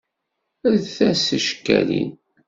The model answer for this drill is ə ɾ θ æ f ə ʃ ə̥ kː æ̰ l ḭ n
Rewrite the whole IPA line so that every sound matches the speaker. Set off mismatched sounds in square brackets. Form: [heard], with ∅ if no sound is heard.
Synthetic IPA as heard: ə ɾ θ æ [s] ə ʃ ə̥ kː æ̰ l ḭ n